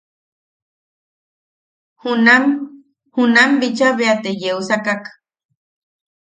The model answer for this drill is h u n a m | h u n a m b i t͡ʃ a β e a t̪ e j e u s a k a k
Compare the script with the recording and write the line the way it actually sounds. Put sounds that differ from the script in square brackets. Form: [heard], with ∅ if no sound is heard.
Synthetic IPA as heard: h u n a m | h u n a m b i t͡ʃ a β e a t̪ e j e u s a k a k